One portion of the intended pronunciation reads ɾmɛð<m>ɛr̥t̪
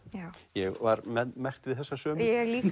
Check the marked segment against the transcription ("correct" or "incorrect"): correct